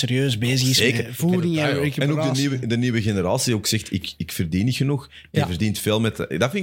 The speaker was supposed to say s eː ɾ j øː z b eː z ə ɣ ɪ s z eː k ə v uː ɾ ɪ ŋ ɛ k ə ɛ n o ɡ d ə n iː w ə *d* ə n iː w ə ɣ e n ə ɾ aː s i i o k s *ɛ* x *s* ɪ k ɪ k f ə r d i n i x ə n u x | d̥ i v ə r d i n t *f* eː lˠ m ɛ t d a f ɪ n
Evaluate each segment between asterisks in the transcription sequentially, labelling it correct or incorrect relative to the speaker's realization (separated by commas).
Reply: correct, correct, incorrect, correct